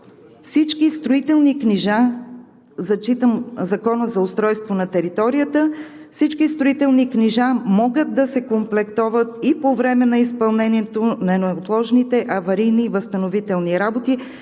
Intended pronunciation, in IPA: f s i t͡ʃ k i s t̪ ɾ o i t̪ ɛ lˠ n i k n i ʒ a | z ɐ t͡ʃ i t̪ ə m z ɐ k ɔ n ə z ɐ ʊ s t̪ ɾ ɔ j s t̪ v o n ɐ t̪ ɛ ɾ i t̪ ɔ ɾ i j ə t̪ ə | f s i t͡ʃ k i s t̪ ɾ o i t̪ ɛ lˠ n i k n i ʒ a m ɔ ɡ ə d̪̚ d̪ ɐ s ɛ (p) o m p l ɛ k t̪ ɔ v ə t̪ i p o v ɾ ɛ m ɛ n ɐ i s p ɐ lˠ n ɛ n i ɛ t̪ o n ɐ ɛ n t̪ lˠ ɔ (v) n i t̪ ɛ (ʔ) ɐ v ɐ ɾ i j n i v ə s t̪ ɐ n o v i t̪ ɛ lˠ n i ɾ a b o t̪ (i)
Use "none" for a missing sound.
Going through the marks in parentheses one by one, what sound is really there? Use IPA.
k, ʒ, ʔ, i

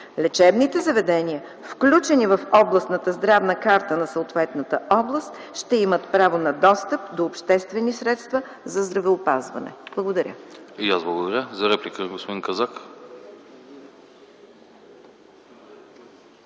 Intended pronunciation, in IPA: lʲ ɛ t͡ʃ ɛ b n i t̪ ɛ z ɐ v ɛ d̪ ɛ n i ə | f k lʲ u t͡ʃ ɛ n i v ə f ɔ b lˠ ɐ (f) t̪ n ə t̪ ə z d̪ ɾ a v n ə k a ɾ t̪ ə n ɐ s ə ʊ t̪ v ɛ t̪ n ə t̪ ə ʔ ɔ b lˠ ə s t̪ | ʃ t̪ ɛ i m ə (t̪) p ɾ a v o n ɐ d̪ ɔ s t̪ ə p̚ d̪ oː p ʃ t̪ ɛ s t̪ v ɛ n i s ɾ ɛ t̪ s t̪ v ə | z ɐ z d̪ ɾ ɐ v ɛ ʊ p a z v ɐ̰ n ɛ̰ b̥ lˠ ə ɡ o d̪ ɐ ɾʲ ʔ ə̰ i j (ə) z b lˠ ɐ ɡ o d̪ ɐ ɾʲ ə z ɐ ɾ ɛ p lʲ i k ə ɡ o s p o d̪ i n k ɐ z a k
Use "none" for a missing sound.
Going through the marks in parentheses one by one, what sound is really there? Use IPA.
s, t̪, a

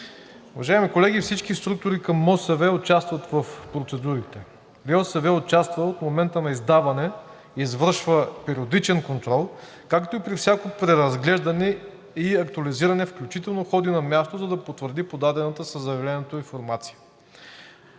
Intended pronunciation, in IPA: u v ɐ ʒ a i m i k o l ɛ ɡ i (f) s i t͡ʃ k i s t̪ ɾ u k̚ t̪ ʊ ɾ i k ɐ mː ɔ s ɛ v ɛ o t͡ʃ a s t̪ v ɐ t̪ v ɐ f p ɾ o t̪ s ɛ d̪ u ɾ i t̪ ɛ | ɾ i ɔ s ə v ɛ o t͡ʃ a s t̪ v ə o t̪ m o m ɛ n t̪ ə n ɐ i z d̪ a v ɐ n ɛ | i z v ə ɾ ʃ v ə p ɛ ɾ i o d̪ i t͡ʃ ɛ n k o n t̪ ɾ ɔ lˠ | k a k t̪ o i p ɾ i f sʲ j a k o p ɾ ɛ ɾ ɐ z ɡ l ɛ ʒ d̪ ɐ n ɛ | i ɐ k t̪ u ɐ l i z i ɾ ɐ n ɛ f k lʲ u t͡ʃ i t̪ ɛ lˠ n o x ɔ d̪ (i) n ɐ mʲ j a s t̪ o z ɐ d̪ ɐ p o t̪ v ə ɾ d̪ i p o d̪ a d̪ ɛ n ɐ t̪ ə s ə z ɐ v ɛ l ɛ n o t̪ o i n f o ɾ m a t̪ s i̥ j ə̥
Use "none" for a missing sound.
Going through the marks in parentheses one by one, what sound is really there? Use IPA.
f, i

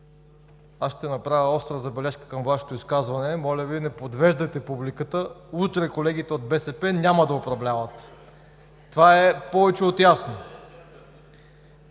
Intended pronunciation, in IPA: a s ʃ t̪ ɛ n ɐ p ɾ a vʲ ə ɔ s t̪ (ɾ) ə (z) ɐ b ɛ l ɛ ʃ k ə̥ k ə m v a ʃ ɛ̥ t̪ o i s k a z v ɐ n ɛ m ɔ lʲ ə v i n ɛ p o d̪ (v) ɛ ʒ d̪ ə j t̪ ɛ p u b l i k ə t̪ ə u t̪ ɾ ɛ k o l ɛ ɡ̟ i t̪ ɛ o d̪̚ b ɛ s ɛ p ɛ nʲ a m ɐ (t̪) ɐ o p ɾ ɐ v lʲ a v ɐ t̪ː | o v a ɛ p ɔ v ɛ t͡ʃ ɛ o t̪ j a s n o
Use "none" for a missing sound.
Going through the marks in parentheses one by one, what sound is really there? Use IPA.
ɾ, z, v, d̪

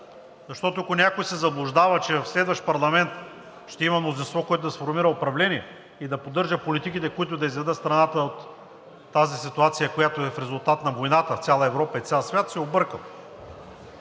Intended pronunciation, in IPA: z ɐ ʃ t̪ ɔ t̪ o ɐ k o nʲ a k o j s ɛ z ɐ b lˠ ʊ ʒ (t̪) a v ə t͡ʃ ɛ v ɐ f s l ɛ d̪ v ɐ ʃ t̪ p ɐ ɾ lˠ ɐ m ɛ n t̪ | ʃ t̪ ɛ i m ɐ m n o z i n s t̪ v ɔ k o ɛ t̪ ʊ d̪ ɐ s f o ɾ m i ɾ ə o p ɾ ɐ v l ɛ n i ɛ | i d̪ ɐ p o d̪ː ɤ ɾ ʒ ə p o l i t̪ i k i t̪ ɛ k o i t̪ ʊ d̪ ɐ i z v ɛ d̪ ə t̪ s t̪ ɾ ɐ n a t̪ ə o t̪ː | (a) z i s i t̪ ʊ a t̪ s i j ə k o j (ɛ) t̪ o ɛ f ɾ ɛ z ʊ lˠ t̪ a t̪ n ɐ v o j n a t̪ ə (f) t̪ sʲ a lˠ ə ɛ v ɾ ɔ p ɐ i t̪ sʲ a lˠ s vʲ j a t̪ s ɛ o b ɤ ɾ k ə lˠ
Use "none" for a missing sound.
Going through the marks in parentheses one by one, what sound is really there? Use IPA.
d̪, a, a, f

